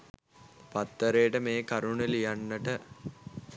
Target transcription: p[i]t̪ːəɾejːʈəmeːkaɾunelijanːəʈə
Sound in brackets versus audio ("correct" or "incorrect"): incorrect